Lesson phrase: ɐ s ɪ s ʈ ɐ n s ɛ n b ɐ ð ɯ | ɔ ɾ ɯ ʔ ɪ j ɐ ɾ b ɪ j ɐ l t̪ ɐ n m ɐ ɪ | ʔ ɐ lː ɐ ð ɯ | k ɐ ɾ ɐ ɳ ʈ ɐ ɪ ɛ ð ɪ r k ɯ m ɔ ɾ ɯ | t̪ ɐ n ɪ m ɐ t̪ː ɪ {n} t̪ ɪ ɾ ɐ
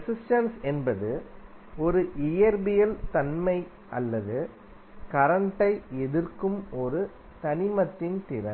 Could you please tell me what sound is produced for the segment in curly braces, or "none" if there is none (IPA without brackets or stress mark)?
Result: n